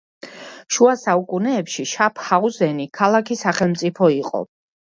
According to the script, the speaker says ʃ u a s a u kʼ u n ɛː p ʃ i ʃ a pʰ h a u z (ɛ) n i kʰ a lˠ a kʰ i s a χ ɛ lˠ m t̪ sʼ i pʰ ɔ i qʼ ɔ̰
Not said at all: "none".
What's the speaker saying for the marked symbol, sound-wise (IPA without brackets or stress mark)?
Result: ɛ